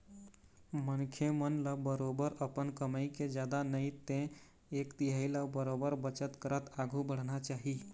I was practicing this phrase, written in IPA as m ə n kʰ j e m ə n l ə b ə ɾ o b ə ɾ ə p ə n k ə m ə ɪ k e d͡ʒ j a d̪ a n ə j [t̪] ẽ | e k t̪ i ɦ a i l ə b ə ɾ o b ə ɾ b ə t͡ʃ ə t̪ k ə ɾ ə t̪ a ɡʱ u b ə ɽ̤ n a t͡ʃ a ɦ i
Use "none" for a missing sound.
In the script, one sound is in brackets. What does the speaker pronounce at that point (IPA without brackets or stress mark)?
t̪